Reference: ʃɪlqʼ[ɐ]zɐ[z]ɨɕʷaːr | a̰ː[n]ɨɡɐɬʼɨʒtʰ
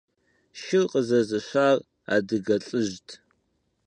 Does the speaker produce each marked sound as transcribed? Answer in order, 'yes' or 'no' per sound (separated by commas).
no, yes, no